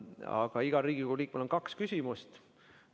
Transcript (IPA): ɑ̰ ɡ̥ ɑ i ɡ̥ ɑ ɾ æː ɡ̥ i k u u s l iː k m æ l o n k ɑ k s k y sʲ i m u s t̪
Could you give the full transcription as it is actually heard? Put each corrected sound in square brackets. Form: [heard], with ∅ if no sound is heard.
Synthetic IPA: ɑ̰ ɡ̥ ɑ i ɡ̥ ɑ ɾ [iː] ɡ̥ i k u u [∅] l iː k m [e] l o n k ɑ k s k y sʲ i m u s t̪